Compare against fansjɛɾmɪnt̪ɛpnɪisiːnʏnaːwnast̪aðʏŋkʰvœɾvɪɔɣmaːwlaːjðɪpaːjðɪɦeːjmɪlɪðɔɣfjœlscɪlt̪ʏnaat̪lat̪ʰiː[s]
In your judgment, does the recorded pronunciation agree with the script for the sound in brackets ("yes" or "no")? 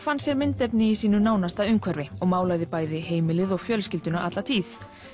no